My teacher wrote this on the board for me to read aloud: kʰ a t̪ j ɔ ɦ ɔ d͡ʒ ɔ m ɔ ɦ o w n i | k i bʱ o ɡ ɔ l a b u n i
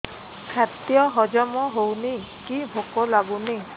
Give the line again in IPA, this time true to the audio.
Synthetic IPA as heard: kʰ a t̪ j ɔ ɦ ɔ d͡ʒ ɔ m ɔ ɦ o w n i | k i bʱ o k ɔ l a ɡ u n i

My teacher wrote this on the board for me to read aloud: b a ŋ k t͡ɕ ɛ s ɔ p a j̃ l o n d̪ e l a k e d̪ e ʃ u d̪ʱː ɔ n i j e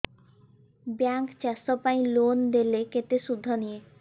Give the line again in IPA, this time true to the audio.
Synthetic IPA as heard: b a ŋ k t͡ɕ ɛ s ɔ p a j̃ l o n d̪ e l e k e t̪ e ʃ u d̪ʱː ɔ n i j e

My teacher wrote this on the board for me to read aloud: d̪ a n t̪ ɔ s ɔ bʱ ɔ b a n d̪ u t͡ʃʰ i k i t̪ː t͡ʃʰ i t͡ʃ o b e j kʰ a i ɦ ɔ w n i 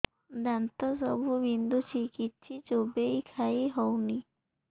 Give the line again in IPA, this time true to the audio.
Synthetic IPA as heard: d̪ a n t̪ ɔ s ɔ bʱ u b i n d̪ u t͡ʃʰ i k i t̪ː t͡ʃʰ i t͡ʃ o b e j kʰ a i ɦ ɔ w n i

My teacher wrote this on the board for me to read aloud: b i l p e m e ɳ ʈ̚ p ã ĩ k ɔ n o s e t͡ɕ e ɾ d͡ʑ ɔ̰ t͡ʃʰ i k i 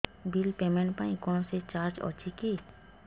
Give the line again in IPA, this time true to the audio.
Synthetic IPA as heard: b i l p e m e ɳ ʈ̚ p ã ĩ k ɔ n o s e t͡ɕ a ɾ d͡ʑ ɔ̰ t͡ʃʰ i k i

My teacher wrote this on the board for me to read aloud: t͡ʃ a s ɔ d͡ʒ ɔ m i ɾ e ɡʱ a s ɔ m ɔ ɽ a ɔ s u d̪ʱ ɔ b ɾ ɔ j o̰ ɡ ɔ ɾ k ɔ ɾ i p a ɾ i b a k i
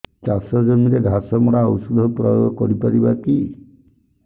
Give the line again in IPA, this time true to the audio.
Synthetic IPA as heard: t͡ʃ a s ɔ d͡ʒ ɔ m i ɾ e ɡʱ a s ɔ m ɔ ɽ a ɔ s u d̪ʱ ɔ p ɾ ɔ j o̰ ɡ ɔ k ɔ ɾ i p a ɾ i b a k i

